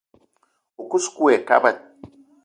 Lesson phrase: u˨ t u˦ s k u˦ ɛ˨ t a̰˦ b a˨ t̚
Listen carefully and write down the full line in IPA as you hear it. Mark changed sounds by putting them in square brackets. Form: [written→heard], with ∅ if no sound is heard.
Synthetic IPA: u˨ [t→k] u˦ s k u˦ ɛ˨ [t→k] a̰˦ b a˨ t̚